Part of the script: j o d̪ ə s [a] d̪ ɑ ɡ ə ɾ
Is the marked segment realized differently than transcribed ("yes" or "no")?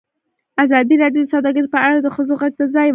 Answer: yes